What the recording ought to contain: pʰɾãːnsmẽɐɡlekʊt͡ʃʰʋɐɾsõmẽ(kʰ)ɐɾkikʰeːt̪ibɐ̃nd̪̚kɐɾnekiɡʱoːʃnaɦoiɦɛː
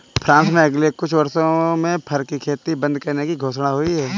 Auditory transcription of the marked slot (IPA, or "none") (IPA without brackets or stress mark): pʰ